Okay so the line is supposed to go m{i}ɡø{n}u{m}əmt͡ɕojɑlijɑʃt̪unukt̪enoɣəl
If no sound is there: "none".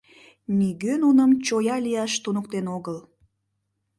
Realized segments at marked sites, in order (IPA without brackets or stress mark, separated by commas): i, n, n